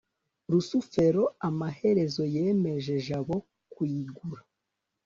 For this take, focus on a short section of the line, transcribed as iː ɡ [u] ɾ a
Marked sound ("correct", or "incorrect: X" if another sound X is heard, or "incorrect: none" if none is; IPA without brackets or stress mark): correct